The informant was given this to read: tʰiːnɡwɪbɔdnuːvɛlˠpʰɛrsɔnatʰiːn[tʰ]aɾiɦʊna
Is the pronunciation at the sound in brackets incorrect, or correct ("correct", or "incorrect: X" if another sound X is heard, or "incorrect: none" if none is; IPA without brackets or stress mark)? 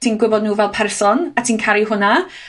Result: incorrect: kʰ